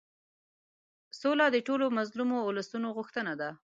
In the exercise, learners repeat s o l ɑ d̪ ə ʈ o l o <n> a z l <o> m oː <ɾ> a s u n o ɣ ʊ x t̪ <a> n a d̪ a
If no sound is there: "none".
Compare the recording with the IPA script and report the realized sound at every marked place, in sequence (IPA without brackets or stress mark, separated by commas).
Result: m, u, l, ə